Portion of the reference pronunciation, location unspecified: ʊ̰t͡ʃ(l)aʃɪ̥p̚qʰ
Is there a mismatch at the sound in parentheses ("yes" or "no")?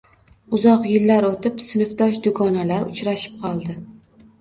yes